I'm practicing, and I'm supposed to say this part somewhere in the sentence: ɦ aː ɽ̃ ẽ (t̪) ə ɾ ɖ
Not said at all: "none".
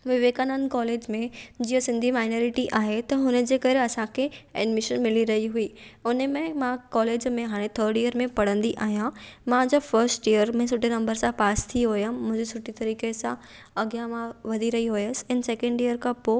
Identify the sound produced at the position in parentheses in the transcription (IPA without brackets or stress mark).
t̪ʰ